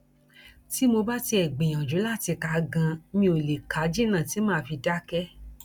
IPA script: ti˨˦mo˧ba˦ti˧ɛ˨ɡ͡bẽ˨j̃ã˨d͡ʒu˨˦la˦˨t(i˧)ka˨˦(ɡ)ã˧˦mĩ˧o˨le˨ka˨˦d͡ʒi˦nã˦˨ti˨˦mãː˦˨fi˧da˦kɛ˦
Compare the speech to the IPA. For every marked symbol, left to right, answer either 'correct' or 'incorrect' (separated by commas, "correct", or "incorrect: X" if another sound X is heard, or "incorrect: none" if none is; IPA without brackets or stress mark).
correct, correct